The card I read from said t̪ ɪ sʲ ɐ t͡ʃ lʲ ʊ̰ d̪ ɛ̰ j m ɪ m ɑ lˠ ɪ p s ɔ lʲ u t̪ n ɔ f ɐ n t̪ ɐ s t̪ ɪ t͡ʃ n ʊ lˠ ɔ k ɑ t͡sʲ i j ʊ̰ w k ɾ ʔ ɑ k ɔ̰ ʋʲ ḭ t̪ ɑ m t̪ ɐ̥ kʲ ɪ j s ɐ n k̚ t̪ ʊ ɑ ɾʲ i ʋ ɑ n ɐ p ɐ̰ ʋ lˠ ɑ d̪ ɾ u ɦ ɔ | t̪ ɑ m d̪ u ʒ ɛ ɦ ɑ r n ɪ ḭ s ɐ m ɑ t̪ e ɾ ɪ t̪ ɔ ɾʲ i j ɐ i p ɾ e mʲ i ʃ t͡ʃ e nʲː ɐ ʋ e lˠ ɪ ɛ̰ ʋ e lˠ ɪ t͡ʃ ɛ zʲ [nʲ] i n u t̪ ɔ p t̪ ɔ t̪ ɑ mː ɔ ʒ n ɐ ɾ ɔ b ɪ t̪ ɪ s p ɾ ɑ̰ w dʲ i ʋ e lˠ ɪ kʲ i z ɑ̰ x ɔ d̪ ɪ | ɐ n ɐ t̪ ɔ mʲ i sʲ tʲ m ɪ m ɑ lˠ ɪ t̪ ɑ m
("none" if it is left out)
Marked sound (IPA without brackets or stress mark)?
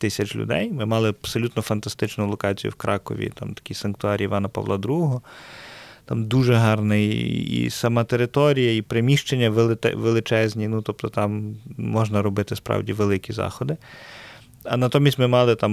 nʲ